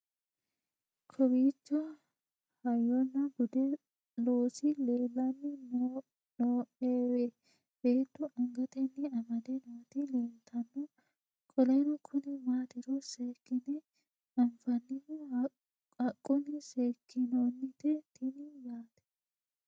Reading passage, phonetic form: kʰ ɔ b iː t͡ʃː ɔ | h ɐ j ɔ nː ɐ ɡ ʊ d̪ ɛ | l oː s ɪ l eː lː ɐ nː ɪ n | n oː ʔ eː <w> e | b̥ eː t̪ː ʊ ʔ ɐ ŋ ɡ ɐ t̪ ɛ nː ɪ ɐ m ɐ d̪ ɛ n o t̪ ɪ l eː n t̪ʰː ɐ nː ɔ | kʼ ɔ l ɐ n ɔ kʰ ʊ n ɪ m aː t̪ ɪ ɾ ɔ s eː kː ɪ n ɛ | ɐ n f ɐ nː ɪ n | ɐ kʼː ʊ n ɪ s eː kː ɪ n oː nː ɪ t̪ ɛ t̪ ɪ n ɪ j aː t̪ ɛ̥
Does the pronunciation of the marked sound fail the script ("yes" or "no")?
no